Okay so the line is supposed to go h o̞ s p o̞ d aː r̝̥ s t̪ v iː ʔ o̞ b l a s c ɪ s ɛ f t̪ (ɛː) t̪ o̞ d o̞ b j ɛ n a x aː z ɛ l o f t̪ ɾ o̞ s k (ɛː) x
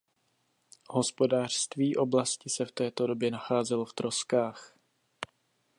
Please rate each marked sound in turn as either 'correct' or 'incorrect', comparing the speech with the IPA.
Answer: correct, incorrect

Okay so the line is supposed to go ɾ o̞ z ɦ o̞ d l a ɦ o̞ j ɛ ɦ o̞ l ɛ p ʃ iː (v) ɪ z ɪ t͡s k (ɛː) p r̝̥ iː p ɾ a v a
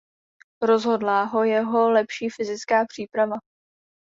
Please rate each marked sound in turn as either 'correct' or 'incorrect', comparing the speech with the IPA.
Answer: incorrect, incorrect

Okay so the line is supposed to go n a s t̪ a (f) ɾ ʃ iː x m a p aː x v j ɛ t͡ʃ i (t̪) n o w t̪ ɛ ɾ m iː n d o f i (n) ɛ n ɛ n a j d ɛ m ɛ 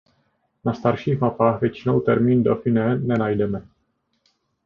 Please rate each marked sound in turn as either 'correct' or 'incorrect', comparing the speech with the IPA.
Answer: incorrect, incorrect, correct

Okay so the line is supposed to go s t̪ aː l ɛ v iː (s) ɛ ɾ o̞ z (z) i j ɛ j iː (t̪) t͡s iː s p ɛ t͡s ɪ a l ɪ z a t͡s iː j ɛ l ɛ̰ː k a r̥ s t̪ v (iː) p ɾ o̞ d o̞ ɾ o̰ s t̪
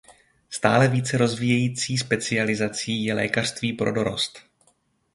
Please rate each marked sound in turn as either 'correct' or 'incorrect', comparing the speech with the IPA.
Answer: incorrect, incorrect, incorrect, correct

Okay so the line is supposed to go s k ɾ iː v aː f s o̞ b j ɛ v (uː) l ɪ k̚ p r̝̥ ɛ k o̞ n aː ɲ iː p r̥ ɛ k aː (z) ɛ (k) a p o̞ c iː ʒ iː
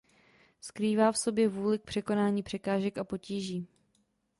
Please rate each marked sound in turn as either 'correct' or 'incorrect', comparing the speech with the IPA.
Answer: correct, incorrect, correct

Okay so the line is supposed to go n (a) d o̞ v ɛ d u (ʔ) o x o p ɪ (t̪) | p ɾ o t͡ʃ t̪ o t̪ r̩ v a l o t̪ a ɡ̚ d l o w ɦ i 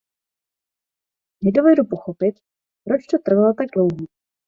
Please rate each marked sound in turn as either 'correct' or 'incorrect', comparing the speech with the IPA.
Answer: incorrect, incorrect, correct

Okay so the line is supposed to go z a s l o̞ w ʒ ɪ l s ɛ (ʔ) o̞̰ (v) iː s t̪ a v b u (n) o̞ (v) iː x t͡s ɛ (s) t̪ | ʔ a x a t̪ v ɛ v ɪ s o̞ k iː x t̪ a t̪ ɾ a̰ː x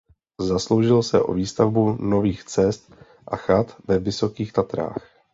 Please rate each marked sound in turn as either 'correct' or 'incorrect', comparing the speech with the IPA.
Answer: correct, correct, correct, correct, correct

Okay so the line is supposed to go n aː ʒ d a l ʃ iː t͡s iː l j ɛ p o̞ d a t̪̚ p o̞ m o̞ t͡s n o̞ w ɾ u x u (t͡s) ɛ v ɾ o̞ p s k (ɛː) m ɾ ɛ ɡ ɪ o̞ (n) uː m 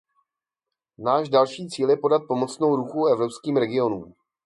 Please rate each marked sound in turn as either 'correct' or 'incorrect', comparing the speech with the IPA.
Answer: incorrect, incorrect, correct

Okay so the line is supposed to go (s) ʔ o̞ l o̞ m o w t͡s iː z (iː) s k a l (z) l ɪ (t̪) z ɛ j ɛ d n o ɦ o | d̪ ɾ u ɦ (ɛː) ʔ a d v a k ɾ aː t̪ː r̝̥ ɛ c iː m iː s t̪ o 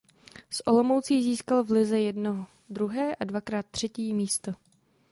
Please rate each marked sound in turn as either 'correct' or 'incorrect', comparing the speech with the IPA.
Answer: correct, correct, incorrect, incorrect, correct

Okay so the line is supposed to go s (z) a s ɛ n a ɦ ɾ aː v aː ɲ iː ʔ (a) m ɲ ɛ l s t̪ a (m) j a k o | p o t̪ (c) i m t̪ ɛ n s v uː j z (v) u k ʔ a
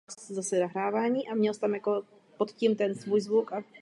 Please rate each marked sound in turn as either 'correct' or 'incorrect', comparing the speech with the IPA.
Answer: correct, correct, correct, correct, correct

